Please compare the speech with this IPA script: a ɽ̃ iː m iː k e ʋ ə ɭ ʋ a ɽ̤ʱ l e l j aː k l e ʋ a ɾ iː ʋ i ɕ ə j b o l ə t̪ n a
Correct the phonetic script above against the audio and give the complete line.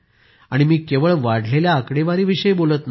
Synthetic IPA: a ɽ̃ i m iː k e ʋ ə ɭ ʋ a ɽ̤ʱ l e l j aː k ɽ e ʋ a ɾ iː ʋ i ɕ ə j b o l ə t̪ n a

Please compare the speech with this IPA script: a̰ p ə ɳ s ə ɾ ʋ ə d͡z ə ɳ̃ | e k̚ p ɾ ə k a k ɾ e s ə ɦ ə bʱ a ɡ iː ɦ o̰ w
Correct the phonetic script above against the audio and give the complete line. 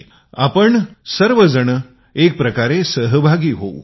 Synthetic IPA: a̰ p ə ɳ s ə ɾ ʋ ə d͡z ə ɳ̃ | e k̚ p ɾ ə k a ɾ e s ə ɦ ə bʱ a ɡ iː ɦ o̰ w

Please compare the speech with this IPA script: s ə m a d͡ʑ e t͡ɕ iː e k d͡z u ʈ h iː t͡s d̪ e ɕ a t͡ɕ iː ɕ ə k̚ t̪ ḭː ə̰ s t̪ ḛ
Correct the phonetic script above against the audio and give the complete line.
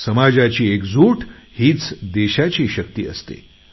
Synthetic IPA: s ə m a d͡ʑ a t͡ɕ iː e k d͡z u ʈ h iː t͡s d̪ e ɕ a t͡ɕ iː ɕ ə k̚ t̪ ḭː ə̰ s t̪ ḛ

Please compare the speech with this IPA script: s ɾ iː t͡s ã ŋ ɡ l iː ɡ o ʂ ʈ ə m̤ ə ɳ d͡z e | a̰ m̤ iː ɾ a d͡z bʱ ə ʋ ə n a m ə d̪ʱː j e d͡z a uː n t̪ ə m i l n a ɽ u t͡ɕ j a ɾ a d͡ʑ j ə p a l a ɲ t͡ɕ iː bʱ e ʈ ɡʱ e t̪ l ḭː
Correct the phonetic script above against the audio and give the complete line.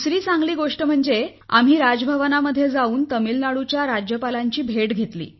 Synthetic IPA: s ɾ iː t͡s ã ŋ ɡ l iː ɡ o ʂ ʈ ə m̤ ə ɳ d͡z e | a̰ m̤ iː ɾ a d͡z bʱ ə ʋ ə n a m ə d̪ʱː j e d͡z a uː n t̪ ə m i l n a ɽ u t͡ɕ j a ɾ a d͡ʑ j ə p a l a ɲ t͡ɕ iː bʱ e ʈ ɡʱ e t̪ l ḭː

